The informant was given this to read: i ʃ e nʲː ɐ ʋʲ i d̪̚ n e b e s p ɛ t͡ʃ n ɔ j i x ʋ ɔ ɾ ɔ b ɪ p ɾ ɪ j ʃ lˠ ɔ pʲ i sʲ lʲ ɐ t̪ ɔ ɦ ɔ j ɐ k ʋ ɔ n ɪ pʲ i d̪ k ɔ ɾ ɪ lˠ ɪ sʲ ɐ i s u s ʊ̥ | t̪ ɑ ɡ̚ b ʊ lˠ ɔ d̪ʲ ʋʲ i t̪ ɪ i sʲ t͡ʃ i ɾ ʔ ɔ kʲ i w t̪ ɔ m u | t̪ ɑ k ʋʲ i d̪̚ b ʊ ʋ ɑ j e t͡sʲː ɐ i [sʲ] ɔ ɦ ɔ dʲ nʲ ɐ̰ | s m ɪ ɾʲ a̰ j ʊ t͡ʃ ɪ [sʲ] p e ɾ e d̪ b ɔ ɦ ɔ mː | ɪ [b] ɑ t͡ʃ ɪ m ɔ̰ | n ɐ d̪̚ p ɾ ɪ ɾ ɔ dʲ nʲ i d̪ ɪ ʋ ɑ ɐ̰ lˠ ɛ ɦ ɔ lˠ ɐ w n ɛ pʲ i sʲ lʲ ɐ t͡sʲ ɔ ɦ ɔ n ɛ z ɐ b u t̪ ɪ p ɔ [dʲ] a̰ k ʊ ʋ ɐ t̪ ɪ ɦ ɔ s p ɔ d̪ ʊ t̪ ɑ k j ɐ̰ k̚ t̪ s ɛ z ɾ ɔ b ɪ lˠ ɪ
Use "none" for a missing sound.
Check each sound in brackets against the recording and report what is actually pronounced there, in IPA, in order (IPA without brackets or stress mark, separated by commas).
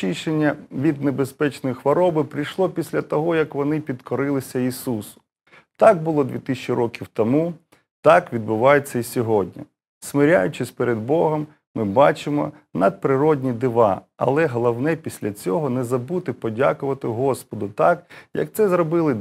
sʲ, sʲ, b, dʲ